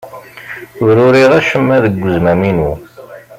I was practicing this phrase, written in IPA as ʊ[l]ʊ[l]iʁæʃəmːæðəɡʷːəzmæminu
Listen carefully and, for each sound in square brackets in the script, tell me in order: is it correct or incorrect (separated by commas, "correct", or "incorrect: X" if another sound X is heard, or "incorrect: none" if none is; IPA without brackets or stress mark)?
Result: incorrect: ɾ, incorrect: ɾ